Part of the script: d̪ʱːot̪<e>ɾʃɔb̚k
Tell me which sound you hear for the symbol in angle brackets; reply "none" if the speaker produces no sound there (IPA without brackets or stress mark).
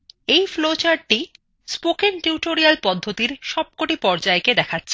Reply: i